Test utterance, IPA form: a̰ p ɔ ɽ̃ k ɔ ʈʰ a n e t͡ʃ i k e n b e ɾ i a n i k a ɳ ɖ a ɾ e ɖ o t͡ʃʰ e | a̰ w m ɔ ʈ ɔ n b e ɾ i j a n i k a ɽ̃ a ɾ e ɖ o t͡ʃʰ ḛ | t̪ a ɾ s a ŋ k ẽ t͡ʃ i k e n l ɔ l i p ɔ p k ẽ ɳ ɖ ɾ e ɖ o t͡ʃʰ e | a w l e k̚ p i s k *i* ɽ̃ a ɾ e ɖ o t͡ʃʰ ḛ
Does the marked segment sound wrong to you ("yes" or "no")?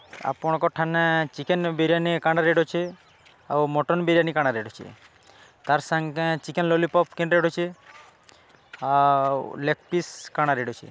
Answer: yes